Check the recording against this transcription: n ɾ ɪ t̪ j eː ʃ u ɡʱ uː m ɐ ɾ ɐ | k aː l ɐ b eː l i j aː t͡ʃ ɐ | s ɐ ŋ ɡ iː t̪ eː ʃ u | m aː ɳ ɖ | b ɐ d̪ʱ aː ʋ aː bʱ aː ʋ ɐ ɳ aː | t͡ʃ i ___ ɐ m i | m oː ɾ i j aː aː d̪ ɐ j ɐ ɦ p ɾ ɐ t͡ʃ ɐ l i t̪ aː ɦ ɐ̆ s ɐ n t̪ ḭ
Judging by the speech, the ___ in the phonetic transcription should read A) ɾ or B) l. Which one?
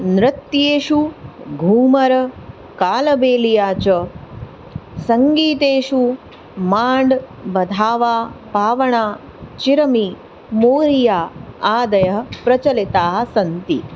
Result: A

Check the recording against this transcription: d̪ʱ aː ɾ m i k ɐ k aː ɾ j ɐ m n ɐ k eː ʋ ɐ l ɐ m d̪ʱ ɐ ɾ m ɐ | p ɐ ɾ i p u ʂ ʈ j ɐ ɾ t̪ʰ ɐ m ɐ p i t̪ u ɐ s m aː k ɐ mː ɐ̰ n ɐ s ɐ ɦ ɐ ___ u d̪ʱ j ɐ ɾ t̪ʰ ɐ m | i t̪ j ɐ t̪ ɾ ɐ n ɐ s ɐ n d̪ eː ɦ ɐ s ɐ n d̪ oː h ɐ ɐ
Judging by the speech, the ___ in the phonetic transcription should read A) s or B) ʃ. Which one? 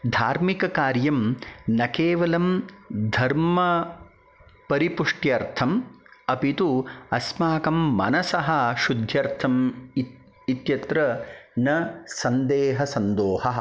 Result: B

